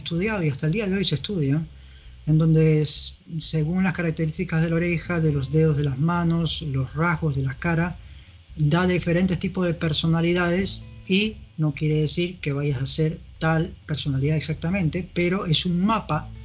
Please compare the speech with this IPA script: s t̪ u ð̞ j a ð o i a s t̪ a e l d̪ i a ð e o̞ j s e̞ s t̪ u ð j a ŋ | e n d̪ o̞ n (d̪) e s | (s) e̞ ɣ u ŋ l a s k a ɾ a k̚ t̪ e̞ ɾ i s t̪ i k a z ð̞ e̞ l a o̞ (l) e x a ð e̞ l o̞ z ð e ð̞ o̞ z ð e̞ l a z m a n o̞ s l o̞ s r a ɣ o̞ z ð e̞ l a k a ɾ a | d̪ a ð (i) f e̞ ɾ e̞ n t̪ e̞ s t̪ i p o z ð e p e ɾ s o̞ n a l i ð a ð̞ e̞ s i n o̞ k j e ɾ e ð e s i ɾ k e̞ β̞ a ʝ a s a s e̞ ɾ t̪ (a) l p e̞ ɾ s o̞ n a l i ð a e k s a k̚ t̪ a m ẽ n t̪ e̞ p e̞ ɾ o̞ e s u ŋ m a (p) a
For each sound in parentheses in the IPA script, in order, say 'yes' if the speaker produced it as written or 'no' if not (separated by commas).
yes, yes, no, yes, yes, yes